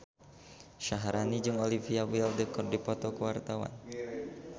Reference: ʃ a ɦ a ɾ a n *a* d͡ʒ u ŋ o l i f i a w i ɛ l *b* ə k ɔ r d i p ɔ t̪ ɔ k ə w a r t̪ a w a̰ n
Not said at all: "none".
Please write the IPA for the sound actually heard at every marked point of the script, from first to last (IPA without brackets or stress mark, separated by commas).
i, d